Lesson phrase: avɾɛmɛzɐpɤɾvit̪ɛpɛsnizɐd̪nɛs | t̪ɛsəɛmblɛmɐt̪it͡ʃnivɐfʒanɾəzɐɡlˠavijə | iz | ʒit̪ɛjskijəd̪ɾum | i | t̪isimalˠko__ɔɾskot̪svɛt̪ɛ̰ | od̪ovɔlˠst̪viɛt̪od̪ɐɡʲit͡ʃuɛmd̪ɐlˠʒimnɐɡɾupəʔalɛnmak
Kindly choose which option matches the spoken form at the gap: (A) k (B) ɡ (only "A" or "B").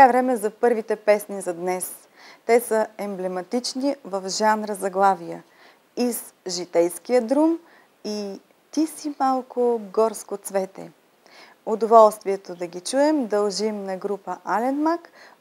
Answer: B